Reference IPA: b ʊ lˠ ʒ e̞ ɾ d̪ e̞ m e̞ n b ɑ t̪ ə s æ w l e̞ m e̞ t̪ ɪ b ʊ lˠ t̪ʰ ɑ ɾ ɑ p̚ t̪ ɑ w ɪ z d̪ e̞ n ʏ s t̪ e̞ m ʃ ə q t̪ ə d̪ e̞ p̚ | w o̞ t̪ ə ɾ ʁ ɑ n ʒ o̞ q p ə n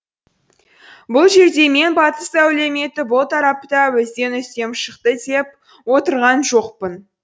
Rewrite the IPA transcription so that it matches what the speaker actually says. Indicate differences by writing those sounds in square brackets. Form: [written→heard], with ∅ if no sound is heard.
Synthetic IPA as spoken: b ʊ lˠ ʒ e̞ ɾ d̪ e̞ m e̞ n b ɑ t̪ ə s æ w l e̞ m e̞ t̪ ɪ b ʊ lˠ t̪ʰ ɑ ɾ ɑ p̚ t̪ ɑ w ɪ z d̪ e̞ n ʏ s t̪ e̞ m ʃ ə q t̪ ə d̪ e̞ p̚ | w o̞ t̪ ə ɾ ʁ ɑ n ʒ o̞ q p ə n